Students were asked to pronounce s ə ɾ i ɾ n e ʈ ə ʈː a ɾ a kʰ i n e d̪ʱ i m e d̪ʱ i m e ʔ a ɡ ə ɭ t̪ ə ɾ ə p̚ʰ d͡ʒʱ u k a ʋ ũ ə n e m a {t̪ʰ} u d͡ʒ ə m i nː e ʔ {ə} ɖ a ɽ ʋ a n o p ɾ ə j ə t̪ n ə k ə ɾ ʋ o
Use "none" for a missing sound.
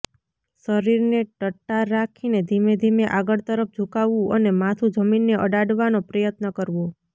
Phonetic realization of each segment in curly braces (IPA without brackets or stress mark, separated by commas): t̪ʰ, ə